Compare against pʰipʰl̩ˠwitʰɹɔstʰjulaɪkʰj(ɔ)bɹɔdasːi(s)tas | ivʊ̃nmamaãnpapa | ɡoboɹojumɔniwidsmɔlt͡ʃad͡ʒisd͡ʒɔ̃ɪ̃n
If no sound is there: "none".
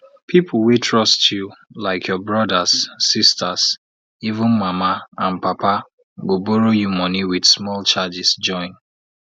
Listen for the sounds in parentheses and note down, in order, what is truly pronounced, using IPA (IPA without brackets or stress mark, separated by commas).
ɔ, s